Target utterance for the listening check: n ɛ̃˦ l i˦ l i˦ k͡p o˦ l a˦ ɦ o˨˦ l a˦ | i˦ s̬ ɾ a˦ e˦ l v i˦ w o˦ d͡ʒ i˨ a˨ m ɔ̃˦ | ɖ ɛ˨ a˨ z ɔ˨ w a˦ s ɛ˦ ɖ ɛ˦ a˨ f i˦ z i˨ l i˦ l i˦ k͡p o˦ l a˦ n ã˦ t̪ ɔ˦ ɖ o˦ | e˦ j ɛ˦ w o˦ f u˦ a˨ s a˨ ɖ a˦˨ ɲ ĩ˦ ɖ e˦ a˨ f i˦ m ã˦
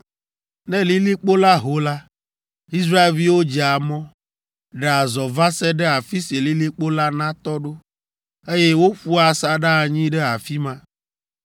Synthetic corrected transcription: n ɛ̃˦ l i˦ l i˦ k͡p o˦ l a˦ ɦ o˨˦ l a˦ | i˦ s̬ ɾ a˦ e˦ l v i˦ w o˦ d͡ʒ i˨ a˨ m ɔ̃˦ | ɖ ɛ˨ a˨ z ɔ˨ v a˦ s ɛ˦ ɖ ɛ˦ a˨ f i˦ s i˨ l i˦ l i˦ k͡p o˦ l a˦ n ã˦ t̪ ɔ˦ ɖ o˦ | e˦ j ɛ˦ w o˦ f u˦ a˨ s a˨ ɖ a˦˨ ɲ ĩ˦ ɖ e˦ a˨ f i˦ m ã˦